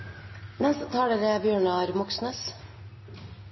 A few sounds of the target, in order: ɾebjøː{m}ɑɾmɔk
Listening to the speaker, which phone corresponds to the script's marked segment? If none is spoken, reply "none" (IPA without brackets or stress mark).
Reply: ɳ